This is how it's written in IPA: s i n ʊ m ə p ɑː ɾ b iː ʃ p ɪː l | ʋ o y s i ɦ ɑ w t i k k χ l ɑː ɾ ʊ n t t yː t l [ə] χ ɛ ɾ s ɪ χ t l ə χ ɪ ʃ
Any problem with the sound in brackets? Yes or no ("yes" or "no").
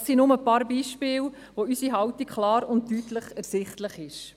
no